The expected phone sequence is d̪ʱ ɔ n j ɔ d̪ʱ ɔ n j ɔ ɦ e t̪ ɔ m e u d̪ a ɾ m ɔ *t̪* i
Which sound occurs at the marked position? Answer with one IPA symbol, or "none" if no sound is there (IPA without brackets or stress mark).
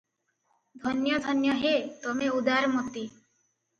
t̪